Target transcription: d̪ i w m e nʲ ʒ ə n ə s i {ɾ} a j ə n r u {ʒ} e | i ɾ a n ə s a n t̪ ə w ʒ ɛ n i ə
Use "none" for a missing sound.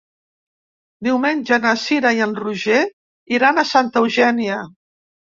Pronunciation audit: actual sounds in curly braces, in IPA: ɾ, ʒ

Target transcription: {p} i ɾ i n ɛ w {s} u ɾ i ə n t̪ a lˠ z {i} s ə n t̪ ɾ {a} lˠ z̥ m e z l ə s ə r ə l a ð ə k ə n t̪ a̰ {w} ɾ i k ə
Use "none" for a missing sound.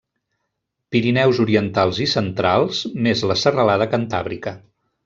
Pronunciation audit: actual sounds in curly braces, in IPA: p, z, i, a, β

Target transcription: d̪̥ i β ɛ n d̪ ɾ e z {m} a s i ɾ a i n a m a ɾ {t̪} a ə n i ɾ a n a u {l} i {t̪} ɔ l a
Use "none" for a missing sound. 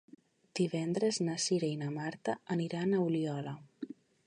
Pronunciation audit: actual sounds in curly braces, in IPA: n, t̪, l, none

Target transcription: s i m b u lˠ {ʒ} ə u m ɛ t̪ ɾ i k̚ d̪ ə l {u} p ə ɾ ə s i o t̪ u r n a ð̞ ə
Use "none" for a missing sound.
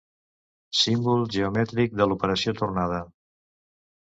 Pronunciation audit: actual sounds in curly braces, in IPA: ʒ, u

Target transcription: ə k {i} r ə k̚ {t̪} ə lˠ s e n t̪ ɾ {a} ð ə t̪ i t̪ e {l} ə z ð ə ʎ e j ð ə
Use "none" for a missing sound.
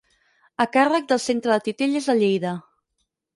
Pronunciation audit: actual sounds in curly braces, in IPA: a, d̪, ə, ʎ

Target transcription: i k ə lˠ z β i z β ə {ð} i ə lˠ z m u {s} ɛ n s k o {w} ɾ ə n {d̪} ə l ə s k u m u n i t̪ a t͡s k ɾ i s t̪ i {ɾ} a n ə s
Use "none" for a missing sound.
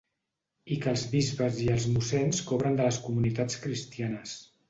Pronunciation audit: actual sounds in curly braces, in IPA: z, s, β, d̪, none

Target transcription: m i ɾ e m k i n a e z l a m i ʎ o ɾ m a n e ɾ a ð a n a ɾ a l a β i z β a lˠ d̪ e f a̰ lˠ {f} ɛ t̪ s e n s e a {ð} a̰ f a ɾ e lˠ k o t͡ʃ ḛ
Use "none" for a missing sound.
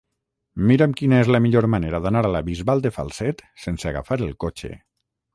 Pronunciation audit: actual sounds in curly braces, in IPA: s, ɣ

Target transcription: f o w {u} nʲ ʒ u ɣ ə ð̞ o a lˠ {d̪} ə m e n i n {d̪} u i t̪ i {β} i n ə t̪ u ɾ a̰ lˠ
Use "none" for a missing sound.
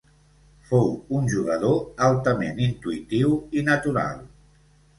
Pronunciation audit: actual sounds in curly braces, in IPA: u, t̪, t̪, w

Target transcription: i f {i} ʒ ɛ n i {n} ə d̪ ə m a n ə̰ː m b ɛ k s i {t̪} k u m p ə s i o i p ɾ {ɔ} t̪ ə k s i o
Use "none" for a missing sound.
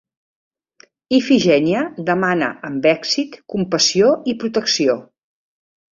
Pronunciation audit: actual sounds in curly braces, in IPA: i, none, t̪, u

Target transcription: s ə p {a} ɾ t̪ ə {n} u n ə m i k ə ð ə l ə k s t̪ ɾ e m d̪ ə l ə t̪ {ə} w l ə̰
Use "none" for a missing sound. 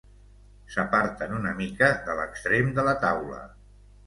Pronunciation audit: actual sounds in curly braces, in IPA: a, n, a

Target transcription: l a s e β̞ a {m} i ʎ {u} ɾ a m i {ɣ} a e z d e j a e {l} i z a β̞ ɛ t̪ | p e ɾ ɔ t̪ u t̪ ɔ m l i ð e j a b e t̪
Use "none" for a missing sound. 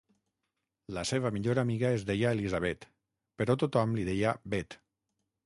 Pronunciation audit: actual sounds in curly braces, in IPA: m, o, ɣ, l

